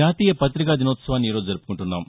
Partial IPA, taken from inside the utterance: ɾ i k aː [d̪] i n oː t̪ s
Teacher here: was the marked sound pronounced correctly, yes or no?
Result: yes